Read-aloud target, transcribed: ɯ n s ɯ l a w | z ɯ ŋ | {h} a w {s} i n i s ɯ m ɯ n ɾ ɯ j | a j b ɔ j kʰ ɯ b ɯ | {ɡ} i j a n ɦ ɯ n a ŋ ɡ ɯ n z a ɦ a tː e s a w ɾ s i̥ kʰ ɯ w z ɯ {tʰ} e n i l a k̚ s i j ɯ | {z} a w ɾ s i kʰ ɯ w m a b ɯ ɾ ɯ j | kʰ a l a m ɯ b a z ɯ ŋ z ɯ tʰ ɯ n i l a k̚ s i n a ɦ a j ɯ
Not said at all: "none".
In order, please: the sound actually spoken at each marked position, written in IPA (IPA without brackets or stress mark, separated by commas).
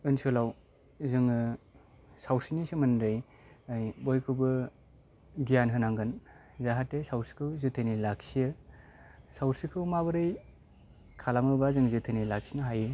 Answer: s, s, ɡ, tʰ, s